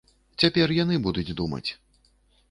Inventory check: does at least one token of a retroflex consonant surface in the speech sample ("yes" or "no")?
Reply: no